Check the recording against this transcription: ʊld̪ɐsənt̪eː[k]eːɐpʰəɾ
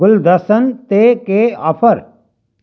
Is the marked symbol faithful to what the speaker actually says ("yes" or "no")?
yes